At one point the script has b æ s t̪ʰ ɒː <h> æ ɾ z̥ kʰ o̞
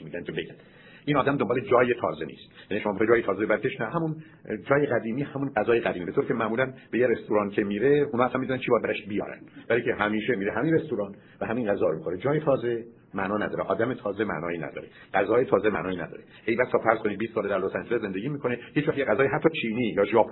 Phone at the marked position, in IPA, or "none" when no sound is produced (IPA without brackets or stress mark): f